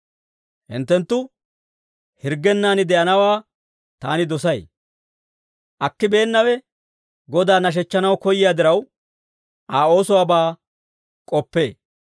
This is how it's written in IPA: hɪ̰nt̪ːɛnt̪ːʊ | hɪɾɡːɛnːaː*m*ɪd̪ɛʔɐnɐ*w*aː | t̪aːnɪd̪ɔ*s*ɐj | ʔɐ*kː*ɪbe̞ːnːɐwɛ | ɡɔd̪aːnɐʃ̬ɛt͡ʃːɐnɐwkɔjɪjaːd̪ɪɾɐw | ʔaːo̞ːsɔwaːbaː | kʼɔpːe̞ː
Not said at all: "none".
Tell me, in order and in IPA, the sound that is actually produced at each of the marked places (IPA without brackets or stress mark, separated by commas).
n, w, s, kː